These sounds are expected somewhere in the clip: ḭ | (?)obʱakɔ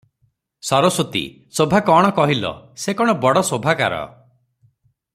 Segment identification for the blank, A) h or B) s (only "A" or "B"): B